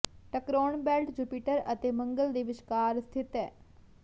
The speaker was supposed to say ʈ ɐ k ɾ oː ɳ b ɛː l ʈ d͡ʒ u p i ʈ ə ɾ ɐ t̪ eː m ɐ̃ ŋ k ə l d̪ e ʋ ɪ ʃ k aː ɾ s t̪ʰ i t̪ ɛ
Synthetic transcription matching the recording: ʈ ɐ k ɾ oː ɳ b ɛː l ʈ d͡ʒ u p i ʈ ə ɾ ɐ t̪ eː m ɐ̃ ŋ ɡ ə l d̪ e ʋ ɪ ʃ k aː ɾ s t̪ʰ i t̪ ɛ